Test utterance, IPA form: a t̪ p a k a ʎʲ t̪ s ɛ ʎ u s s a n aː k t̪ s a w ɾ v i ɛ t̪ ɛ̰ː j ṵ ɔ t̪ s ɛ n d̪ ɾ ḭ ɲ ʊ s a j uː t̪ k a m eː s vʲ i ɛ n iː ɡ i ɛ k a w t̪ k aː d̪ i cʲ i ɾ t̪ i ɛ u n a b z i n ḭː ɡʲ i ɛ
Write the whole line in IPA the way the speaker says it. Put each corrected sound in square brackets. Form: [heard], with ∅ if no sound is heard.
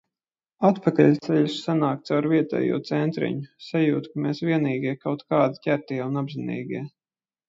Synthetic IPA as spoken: a t̪ p a k a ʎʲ t̪ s ɛ ʎ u s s a n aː k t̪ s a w ɾ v i ɛ t̪ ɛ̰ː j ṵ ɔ t̪ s ɛ n [t̪] ɾ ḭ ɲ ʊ s a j uː t̪ k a m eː s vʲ i ɛ n iː ɡ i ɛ k a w t̪ k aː d̪ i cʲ [æ] ɾ t̪ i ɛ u n a b z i n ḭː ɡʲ i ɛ